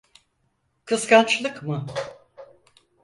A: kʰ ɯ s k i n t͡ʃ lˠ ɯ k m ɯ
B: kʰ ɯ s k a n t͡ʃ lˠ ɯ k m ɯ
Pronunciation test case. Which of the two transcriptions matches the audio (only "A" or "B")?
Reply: B